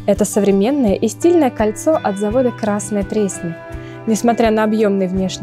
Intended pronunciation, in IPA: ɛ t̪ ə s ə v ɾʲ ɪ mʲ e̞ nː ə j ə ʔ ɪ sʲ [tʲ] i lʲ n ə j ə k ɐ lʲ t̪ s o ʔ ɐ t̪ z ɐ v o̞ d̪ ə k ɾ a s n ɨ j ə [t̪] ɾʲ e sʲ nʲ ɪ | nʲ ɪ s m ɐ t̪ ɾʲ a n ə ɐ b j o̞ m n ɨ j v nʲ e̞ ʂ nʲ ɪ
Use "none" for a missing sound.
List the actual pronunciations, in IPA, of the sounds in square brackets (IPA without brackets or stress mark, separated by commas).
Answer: tʲ, t̪